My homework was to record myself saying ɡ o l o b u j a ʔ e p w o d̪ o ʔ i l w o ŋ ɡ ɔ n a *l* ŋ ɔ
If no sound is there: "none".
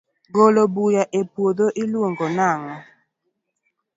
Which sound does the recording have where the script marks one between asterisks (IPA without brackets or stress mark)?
none